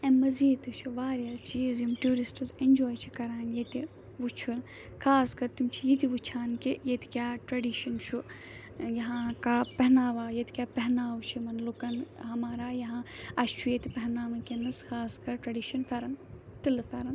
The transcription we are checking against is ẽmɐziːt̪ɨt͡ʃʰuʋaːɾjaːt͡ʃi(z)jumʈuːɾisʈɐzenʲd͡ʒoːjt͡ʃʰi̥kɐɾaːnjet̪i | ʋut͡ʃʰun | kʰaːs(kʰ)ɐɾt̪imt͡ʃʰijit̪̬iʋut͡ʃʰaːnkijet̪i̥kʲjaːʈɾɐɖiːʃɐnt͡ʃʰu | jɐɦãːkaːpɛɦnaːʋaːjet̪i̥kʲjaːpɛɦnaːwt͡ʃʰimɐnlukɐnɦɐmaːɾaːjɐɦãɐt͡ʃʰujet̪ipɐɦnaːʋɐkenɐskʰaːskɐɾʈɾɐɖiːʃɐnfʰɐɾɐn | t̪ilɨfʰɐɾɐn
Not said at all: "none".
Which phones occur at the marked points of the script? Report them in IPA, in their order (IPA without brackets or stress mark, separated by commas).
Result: z, k